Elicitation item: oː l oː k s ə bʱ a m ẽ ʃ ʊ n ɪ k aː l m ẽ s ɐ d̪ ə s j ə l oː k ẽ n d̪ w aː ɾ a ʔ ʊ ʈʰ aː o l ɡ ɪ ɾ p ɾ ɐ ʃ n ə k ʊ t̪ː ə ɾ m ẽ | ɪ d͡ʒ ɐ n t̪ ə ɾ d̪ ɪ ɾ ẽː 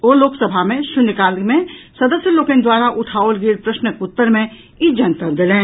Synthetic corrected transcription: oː l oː k s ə bʱ a m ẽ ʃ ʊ n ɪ k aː l m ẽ s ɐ d̪ ə s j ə l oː k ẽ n d̪ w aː ɾ a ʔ ʊ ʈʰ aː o l ɡ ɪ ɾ p ɾ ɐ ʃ n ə k ʊ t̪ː ə ɾ m ẽ | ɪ d͡ʒ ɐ n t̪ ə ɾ d̪ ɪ l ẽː